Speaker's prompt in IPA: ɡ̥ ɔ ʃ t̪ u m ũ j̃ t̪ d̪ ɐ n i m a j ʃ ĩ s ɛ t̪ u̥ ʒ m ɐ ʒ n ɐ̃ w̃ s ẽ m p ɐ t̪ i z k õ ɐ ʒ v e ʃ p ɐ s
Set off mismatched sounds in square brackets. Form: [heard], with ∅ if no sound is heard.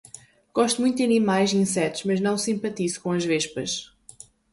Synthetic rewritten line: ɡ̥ ɔ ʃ t̪ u m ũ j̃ t̪ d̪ ɐ n i m a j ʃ ĩ s ɛ t̪ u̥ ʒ m ɐ ʒ n ɐ̃ w̃ s [ĩ] m p ɐ t̪ i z k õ ɐ ʒ v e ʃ p ɐ [ʃ]